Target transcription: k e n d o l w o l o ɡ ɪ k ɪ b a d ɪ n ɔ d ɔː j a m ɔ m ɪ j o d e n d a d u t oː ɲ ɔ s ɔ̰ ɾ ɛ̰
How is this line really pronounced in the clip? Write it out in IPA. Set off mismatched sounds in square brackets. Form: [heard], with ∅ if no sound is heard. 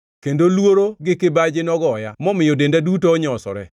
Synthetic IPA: k e n d o l w o [ɾ] o ɡ ɪ k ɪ b a [d͡ʒ] ɪ n ɔ [ɡ] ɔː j a m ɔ m ɪ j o d e n d a d u t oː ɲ ɔ s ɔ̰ ɾ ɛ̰

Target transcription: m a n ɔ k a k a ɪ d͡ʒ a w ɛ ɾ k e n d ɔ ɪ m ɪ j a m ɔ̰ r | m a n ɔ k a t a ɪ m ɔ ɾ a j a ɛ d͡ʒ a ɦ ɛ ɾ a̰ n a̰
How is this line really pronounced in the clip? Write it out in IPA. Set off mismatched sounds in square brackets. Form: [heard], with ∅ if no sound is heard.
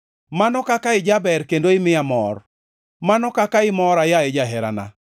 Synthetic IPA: m a n ɔ k a k a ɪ d͡ʒ a [b] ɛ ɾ k e n d [o] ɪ m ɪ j a m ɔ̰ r | m a n ɔ k a [k] a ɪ m ɔ ɾ a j a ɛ d͡ʒ a ɦ ɛ ɾ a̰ n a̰

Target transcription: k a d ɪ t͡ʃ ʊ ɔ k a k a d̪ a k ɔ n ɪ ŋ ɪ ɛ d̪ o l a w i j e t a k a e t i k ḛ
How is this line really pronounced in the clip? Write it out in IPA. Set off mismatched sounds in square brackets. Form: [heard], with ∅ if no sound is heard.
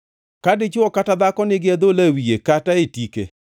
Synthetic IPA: k a d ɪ t͡ʃ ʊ ɔ k a [t] a d̪ a k ɔ n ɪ [ɡ] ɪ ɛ d̪ o l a w i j e [k] a [t] a e t i k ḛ

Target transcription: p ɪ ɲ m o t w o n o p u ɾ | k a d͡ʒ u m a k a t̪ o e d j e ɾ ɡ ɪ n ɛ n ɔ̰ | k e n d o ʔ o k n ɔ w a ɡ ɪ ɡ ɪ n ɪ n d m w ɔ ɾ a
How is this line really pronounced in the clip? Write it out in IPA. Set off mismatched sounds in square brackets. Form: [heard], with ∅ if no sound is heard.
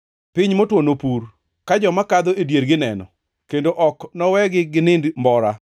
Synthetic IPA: p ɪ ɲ m o t w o n o p u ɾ | k a d͡ʒ [ɔ] m a k a [d̪] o e d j e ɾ ɡ ɪ n ɛ n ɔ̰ | k e n d o ʔ [ɔ] k n ɔ w [ɛ] ɡ ɪ ɡ ɪ n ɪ n d m [b] ɔ ɾ a

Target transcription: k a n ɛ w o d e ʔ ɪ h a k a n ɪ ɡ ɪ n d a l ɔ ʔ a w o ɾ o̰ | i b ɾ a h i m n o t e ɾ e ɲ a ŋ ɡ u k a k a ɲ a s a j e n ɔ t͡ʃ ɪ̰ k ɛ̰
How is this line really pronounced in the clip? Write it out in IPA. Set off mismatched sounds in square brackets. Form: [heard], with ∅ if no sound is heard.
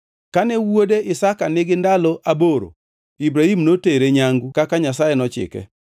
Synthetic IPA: k a n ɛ w o d e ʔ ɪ [s] a k a n ɪ ɡ ɪ n d a l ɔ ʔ a [b] o ɾ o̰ | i b ɾ a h i m n o t e ɾ e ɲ a ŋ ɡ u k a k a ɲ a s a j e n ɔ t͡ʃ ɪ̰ k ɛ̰

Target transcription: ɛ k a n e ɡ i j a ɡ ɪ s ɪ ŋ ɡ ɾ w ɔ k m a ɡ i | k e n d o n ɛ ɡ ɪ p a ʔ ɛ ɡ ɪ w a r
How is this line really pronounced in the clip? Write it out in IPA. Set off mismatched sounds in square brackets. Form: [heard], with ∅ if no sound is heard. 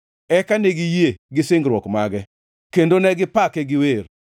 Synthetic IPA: ɛ k a n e ɡ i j [e] ɡ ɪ s ɪ ŋ ɡ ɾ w ɔ k m a ɡ [ɛ] | k e n d o n ɛ ɡ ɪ p a [k] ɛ ɡ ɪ w [e] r

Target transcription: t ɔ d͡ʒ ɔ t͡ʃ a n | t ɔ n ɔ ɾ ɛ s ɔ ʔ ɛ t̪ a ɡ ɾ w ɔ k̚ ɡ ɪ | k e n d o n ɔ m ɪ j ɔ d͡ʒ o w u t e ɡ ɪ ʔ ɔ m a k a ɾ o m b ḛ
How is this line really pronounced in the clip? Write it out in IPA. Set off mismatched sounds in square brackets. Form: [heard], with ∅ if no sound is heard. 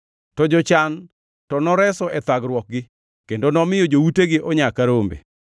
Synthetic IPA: t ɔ d͡ʒ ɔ t͡ʃ a n | t ɔ n ɔ ɾ ɛ s ɔ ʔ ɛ t̪ a ɡ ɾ w ɔ k̚ ɡ ɪ | k e n d o n ɔ m ɪ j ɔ d͡ʒ o w u t e ɡ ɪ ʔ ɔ [ɲ] a k a ɾ o m b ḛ

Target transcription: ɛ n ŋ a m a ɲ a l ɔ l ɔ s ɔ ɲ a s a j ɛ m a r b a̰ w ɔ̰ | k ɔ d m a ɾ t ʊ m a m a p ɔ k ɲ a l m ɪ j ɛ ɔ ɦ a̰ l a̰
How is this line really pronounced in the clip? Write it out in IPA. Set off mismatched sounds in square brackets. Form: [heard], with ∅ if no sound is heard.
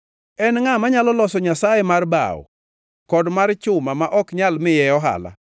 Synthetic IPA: ɛ n ŋ a m a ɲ a l ɔ l ɔ s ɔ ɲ a s a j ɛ m a r b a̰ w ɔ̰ | k ɔ d m a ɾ [t͡ʃ] ʊ m a m a [ʔ] ɔ k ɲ a l m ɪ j ɛ ɔ ɦ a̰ l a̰

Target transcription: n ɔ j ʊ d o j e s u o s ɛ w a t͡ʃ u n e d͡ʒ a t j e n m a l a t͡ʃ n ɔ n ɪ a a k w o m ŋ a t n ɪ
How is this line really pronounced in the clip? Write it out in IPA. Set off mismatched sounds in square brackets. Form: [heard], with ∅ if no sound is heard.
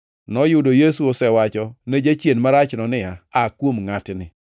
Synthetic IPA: n ɔ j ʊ d o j e s u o s ɛ w a t͡ʃ [ɔ] n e d͡ʒ a [t͡ʃ] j e n m a [ɾ] a t͡ʃ n ɔ n ɪ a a k w o m ŋ a t n ɪ

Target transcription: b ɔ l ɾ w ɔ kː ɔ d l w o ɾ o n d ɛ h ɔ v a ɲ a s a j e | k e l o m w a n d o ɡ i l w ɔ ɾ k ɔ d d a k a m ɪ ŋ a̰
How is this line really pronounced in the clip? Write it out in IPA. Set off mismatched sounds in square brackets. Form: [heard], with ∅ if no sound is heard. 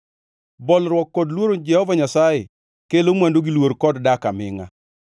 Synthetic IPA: b ɔ l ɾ w ɔ kː ɔ d l w o ɾ o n [d͡ʒ] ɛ h ɔ v a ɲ a s a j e | k e l o m w a n d o ɡ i l w [o] ɾ k ɔ d d a k a m ɪ ŋ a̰

